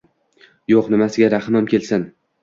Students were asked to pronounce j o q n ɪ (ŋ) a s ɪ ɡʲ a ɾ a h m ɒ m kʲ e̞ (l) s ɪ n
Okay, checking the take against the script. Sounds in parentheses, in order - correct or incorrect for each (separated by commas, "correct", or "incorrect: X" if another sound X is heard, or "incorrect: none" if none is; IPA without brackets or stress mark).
incorrect: m, correct